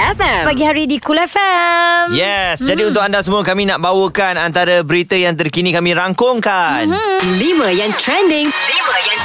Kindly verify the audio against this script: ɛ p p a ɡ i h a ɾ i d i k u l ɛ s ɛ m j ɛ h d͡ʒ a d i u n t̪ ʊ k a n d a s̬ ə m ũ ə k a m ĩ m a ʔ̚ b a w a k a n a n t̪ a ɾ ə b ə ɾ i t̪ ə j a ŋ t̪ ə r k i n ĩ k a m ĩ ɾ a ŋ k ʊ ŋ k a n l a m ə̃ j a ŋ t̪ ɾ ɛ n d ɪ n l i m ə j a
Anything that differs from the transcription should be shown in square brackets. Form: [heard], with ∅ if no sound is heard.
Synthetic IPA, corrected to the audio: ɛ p p a ɡ i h a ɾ i d i k u l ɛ [f] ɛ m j ɛ [s] d͡ʒ a d i u n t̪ ʊ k a n d a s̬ ə m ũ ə k a m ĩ [n] a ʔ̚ b a w [ə] k a n a n t̪ a ɾ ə b ə ɾ i t̪ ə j a ŋ t̪ ə r k i n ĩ k a m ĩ ɾ a ŋ k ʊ ŋ k a n l [i] m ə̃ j a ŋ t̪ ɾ ɛ n d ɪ [ŋ] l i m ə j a